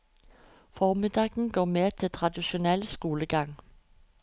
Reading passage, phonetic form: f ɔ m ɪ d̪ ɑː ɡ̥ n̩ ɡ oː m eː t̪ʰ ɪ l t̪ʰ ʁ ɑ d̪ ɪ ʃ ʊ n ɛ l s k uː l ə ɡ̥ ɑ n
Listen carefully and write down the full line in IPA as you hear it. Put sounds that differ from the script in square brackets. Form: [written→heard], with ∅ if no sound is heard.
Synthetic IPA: f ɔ m ɪ d̪ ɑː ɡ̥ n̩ ɡ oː m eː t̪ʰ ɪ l t̪ʰ ʁ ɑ d̪ ɪ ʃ ʊ n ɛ l s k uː l ə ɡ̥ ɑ [n→ŋ]